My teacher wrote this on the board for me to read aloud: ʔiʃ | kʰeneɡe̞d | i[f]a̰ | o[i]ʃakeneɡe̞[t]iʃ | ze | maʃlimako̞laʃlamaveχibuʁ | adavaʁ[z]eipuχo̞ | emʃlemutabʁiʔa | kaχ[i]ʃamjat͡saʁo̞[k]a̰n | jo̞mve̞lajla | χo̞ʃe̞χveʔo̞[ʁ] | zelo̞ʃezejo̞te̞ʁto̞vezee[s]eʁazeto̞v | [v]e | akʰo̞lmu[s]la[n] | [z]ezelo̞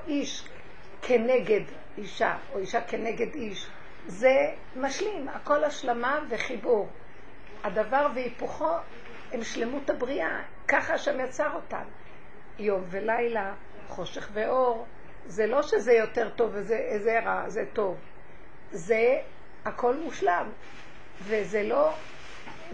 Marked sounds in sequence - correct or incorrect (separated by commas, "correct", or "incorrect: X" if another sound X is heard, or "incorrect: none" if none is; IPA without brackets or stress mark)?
incorrect: ʃ, correct, incorrect: d, incorrect: v, incorrect: a, incorrect: t, correct, incorrect: z, incorrect: z, incorrect: ʃ, incorrect: m, incorrect: v